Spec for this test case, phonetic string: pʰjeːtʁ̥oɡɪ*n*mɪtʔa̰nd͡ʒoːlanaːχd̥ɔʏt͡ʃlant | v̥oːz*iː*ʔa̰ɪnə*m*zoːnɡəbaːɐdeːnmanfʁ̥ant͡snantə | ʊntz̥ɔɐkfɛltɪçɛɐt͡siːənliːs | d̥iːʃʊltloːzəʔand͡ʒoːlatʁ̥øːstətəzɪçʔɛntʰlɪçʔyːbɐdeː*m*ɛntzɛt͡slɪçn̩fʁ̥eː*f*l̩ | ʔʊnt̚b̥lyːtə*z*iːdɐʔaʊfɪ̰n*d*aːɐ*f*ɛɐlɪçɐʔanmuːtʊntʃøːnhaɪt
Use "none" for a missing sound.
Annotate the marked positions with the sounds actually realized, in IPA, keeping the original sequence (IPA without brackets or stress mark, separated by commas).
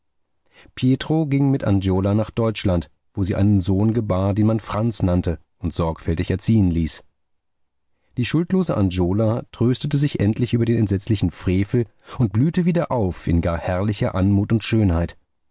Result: ŋ, iː, n, n, f, v, ɡ, h